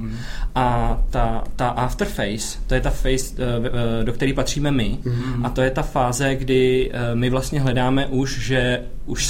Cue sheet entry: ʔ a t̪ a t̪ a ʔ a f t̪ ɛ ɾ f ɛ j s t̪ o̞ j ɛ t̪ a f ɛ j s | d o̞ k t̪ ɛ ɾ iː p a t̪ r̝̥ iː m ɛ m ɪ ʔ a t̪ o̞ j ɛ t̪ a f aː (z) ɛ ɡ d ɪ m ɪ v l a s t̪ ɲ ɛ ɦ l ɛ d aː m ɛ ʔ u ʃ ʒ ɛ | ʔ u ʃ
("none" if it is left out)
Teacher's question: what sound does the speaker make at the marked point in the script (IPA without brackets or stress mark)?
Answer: z